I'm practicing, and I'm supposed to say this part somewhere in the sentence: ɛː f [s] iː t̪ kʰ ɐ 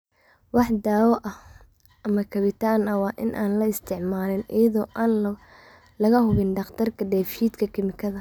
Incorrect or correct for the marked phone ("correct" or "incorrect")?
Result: incorrect